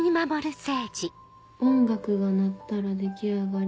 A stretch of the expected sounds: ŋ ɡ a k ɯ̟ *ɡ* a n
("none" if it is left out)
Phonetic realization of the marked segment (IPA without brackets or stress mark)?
ɡ